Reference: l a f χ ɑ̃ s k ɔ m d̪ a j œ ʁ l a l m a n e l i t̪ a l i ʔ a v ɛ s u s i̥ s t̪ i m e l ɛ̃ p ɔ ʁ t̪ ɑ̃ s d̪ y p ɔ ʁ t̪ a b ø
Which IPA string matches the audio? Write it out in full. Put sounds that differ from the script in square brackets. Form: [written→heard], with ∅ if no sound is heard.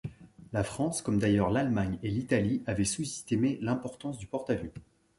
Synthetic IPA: l a f χ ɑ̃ s k ɔ m d̪ a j œ ʁ l a l m a [n→ɲ] e l i t̪ a l i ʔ a v ɛ s u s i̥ s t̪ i m e l ɛ̃ p ɔ ʁ t̪ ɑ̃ s d̪ y p ɔ ʁ t̪ a [b→v] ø